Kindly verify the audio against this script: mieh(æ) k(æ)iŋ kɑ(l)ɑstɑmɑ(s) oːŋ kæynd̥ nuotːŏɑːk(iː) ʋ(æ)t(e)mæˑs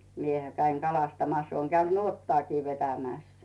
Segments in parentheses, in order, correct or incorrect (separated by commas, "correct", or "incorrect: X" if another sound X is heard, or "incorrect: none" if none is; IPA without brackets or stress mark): correct, correct, correct, correct, correct, incorrect: e, incorrect: æ